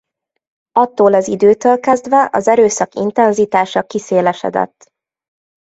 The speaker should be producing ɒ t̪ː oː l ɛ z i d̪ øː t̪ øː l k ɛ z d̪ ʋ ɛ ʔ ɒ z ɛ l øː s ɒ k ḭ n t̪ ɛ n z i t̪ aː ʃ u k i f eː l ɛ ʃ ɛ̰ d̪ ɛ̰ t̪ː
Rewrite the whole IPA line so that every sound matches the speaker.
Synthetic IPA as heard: ɒ t̪ː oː l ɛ z i d̪ øː t̪ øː l k ɛ z d̪ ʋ ɛ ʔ ɒ z ɛ ɾ øː s ɒ k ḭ n t̪ ɛ n z i t̪ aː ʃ ɒ k i s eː l ɛ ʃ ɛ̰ d̪ ɛ̰ t̪ː